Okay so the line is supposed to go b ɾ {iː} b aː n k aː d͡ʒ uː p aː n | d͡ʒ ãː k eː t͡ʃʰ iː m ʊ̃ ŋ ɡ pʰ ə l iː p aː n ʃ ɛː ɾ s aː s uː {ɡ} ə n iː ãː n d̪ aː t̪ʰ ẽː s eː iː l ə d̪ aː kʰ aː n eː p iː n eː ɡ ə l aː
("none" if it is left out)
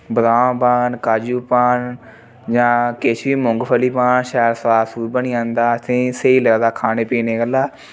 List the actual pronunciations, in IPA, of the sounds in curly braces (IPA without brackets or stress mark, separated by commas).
aː, b